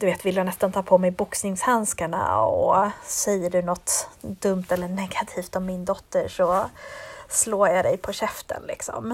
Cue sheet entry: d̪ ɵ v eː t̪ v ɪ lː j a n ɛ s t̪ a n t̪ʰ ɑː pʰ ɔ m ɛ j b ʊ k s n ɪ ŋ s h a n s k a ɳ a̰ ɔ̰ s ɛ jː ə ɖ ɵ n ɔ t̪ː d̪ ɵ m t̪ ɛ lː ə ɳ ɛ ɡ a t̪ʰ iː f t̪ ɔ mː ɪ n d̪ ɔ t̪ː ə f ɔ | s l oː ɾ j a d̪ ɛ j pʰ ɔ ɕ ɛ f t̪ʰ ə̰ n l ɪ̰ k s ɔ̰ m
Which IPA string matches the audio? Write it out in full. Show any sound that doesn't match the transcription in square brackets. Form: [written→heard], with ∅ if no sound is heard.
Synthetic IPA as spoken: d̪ ɵ v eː t̪ v ɪ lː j a n ɛ s t̪ a n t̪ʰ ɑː pʰ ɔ m ɛ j b ʊ k s n ɪ ŋ s h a n s k a ɳ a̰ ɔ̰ s ɛ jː ə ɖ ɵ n ɔ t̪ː d̪ ɵ m t̪ ɛ lː ə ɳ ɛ ɡ a t̪ʰ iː f t̪ ɔ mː ɪ n d̪ ɔ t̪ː ə [f→ʂ] ɔ | s l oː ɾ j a d̪ ɛ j pʰ ɔ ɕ ɛ f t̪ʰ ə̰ n l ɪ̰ k s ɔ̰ m